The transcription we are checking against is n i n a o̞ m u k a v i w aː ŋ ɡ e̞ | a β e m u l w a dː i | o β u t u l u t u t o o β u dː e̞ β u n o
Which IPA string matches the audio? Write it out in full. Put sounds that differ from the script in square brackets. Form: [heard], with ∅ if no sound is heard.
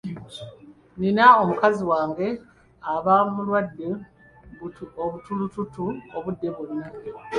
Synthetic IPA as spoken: n i n a o̞ m u k a [z] i w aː ŋ ɡ e̞ | a β [a] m u l w a dː [e] | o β u t u l u t u t [u] o β u dː e̞ β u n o